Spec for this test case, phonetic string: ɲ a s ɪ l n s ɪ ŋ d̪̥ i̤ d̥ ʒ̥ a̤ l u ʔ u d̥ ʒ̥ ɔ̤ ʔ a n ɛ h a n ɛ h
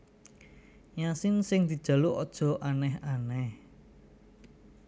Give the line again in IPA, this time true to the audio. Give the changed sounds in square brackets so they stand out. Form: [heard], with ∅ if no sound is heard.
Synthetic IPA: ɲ a s ɪ [∅] n s ɪ ŋ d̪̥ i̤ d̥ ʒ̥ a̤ l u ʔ [ɔ] d̥ ʒ̥ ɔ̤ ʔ a n ɛ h a n ɛ h